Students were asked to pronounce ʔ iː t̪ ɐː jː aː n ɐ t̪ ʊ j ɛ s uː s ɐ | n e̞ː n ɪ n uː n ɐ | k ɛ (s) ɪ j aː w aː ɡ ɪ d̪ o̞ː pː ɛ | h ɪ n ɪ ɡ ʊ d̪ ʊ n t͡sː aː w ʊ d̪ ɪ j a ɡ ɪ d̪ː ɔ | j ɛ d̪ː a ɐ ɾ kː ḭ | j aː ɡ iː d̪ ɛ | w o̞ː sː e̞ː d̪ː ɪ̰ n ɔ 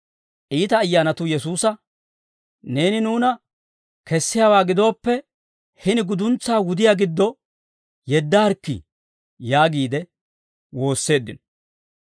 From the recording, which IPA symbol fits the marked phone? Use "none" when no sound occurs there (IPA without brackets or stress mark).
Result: sː